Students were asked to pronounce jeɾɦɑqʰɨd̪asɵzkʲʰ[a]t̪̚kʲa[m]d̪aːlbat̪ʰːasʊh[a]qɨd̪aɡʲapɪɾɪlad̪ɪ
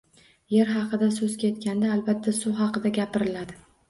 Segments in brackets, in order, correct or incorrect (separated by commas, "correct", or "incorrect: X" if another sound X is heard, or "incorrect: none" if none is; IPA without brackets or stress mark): incorrect: e, incorrect: n, incorrect: ɑ